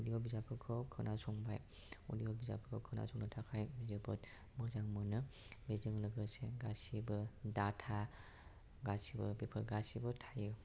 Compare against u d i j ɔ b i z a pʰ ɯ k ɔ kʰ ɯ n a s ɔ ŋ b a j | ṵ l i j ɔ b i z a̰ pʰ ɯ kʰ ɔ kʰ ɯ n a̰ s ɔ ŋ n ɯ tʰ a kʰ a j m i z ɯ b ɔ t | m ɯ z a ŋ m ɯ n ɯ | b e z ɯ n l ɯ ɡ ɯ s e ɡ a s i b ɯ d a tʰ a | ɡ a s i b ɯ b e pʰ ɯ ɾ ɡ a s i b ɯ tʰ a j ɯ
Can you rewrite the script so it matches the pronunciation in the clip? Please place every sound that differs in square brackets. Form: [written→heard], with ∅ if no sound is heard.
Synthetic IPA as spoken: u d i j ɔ b i z a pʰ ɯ [k→kʰ] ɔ kʰ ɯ n a s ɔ ŋ b a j | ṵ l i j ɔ b i z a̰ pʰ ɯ kʰ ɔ kʰ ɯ n a̰ s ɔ ŋ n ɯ tʰ a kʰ a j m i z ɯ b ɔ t | m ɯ z a ŋ m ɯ n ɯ | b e z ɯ [n→ŋ] l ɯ ɡ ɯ s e ɡ a s i b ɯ d a tʰ a | ɡ a s i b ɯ b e pʰ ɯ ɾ ɡ a s i b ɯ tʰ a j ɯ